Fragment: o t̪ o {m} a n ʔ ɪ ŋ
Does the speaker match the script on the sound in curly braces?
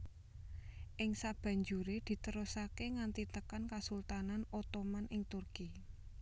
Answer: yes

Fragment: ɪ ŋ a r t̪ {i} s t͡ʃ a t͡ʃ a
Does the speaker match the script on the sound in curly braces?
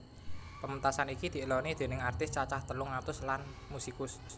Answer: no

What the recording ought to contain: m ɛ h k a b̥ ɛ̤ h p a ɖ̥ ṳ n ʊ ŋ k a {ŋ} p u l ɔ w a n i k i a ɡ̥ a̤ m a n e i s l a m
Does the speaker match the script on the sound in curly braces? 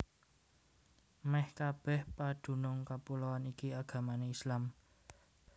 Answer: no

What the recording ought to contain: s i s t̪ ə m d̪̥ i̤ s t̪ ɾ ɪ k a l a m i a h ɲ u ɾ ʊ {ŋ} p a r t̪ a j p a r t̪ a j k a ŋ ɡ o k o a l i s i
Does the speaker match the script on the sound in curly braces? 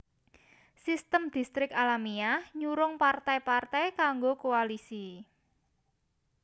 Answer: yes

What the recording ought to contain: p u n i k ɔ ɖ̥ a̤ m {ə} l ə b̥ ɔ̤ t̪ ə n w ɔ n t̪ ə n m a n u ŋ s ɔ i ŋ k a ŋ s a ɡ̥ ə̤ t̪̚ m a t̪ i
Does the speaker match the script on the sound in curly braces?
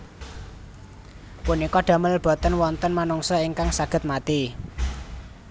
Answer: yes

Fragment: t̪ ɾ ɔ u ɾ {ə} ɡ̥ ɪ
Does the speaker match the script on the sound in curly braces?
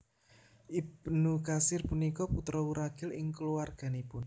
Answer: no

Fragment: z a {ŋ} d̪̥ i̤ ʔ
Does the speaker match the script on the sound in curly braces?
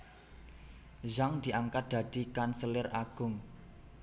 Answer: yes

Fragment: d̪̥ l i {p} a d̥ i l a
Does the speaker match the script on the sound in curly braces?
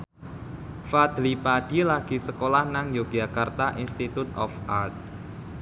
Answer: yes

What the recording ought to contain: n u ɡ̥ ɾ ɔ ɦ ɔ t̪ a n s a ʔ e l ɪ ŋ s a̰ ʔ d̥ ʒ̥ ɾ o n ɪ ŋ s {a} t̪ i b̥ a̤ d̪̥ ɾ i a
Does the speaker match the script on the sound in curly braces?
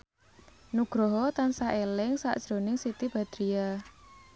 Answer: no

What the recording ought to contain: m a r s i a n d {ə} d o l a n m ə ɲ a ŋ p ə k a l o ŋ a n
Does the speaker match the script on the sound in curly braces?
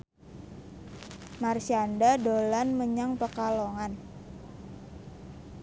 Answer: no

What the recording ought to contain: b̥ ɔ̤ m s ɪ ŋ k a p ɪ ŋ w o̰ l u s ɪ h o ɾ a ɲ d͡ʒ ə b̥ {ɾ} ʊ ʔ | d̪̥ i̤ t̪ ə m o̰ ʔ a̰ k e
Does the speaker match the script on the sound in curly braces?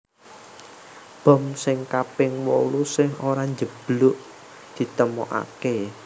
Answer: no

